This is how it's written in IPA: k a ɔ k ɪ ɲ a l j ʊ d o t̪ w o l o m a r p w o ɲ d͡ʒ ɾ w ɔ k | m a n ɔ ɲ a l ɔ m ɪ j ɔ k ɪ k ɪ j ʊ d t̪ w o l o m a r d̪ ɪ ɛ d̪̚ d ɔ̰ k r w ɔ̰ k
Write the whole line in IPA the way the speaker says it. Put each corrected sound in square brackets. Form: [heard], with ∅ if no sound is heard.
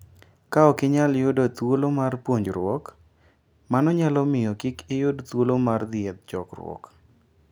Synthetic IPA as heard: k a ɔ k ɪ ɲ a l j ʊ d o t̪ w o l o m a r p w o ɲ d͡ʒ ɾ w ɔ k | m a n ɔ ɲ a l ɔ m ɪ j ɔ k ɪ k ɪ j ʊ d t̪ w o l o m a r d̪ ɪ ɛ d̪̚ [d͡ʒ] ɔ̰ k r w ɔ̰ k